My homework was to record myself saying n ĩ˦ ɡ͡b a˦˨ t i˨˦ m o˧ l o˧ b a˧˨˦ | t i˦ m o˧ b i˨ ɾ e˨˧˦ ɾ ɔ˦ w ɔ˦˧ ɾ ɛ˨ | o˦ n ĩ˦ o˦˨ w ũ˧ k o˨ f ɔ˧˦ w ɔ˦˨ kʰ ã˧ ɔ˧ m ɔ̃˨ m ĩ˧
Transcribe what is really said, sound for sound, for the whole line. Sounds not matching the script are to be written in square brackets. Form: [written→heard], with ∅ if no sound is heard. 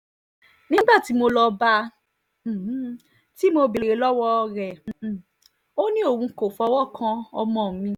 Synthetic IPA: n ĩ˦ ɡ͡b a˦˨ t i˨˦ m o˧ l [o˧→ɔ˧] b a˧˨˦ | t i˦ m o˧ b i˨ ɾ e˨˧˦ [ɾ→l] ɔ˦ w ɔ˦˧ ɾ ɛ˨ | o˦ n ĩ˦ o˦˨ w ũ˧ k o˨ f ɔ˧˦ w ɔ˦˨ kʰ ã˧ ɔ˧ m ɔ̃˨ m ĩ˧